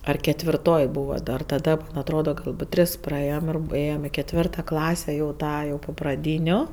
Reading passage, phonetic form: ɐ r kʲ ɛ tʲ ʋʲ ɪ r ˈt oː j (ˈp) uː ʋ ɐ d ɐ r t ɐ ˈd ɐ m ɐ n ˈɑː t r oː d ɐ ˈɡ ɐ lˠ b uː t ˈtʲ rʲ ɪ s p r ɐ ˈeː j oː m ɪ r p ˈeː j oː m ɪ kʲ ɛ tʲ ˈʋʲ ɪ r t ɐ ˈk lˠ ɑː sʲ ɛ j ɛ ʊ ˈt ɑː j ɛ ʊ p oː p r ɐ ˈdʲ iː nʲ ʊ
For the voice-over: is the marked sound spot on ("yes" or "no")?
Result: no